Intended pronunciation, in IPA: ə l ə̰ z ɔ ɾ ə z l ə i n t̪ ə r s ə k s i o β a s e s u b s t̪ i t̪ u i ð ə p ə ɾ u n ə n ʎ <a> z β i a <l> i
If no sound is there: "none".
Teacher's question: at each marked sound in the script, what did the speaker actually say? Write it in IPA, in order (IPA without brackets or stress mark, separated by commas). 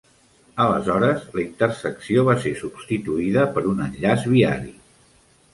a, ɾ